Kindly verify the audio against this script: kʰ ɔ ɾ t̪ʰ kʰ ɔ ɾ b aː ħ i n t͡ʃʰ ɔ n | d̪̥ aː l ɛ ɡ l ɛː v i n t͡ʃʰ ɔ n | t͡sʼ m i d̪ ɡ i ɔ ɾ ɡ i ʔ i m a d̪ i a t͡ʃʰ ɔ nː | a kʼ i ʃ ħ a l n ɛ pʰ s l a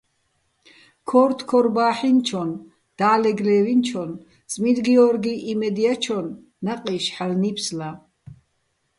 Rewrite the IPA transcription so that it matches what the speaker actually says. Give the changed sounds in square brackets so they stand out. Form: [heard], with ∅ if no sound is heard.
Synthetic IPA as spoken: kʰ ɔ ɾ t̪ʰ kʰ ɔ ɾ b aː ħ i n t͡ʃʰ ɔ n | d̪̥ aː l ɛ ɡ l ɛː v i n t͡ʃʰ ɔ n | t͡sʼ m i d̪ ɡ i ɔ ɾ ɡ i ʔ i m [ɛ] d̪ i a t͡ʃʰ ɔ nː | a [qʼ] i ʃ ħ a l n [i] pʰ s l a

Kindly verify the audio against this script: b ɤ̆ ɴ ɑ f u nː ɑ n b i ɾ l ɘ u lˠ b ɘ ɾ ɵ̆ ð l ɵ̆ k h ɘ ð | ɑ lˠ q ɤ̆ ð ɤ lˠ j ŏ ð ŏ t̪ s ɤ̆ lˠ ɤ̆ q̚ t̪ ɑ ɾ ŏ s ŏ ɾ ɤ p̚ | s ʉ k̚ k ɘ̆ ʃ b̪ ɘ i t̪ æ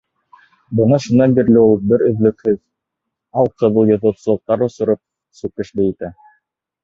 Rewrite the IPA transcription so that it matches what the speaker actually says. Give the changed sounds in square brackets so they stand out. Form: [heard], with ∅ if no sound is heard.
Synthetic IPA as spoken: b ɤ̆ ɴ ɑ [ʃ] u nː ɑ n b i ɾ l ɘ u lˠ b ɘ ɾ ɵ̆ ð l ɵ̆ k h ɘ ð | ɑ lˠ q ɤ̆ ð ɤ lˠ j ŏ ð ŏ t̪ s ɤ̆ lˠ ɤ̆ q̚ t̪ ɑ ɾ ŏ s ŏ ɾ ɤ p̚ | s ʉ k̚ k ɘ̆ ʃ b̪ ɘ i t̪ æ

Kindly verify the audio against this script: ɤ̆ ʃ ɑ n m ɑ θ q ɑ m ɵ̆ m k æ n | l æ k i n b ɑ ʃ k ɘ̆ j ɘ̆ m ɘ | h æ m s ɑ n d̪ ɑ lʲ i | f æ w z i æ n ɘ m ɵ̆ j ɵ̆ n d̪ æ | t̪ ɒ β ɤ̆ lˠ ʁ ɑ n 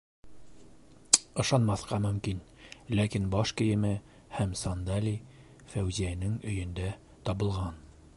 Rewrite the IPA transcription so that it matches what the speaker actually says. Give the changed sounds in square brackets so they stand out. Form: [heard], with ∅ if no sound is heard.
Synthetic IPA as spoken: ɤ̆ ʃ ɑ n m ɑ θ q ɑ m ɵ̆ m k [i] n | l æ k i n b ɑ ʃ k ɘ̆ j ɘ̆ m ɘ | h æ m s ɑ n d̪ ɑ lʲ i | f æ w z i æ n ɘ [ŋ] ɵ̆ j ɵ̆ n d̪ æ | t̪ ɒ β ɤ̆ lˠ ʁ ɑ n

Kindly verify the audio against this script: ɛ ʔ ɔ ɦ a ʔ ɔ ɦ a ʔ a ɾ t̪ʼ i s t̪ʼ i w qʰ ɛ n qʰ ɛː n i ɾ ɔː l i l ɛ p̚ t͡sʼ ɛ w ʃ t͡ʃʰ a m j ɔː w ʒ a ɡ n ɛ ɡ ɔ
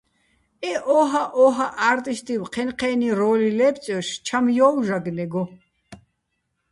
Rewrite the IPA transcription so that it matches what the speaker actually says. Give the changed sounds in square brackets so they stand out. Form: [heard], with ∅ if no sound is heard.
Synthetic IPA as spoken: ɛ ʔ ɔ ɦ a ʔ ɔ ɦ a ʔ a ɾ t̪ʼ i s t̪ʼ i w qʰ ɛ n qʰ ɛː n i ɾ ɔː l i l ɛ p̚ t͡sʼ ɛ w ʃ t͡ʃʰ a m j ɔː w ʒ a ɡ n ɛ ɡ ɔ

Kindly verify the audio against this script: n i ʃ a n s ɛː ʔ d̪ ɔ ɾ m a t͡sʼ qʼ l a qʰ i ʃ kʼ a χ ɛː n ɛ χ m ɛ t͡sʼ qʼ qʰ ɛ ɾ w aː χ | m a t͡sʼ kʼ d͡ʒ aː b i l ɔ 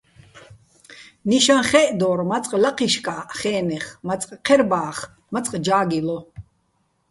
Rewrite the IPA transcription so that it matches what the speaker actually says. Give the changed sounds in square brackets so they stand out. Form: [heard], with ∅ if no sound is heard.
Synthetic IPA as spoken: n i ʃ a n [χ] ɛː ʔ d̪ ɔ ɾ m a t͡sʼ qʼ l a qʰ i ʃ kʼ a χ ɛː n ɛ χ m [a] t͡sʼ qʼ qʰ ɛ ɾ [b] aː χ | m a t͡sʼ [qʼ] d͡ʒ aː [ɡ] i l ɔ

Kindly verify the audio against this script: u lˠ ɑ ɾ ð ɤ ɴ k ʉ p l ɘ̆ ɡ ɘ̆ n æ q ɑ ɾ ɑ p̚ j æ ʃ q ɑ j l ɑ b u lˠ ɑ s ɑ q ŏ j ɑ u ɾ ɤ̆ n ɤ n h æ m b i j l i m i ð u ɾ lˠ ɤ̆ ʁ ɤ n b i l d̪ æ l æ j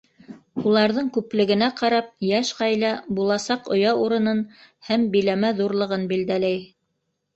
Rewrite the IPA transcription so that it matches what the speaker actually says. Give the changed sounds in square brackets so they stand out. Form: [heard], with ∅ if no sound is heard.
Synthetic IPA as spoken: u lˠ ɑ ɾ ð ɤ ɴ k ʉ p l ɘ̆ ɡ ɘ̆ n æ q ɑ ɾ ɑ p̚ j æ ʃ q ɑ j l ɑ b u lˠ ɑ s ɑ q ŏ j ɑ u ɾ ɤ̆ n ɤ n h æ m b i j l [æ] m [æ] ð u ɾ lˠ ɤ̆ ʁ ɤ n b i l d̪ æ l æ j

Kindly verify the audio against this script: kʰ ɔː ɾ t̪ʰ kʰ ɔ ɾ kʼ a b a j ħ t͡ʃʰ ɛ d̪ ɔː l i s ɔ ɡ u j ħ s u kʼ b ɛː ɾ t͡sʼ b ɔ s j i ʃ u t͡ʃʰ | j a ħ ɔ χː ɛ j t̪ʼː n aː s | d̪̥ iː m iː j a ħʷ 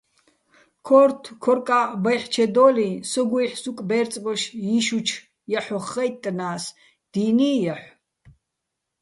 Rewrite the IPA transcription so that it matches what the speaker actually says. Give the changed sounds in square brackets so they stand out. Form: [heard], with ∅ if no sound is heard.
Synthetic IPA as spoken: kʰ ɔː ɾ t̪ʰ kʰ ɔ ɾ kʼ a b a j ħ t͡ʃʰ ɛ d̪ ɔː l i s ɔ ɡ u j ħ s u kʼ b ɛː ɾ t͡sʼ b ɔ [ʃ] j i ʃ u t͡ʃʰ | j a ħ ɔ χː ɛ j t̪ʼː n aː s | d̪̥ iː [n] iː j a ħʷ

